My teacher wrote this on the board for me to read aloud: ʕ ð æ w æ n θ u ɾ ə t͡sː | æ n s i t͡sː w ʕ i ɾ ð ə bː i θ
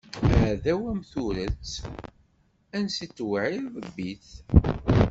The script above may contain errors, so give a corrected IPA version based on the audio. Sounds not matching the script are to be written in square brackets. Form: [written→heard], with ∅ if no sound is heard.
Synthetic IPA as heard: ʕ ð æ w æ [n→m] θ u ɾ ə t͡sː | æ n s i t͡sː w ʕ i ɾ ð ə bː i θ